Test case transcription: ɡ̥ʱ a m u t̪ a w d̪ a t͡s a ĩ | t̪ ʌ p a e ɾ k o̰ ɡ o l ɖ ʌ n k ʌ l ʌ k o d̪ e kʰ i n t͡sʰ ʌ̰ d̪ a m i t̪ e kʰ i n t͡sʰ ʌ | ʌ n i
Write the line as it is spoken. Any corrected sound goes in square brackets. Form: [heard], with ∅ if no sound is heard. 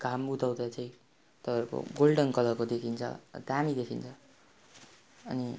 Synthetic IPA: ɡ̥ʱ a m u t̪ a w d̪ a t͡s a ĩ | t̪ ʌ p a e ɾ k o̰ ɡ o l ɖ ʌ n k ʌ l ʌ k o d̪ e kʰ i n t͡sʰ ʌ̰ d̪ a m i [d̪] e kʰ i n t͡sʰ ʌ | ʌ n i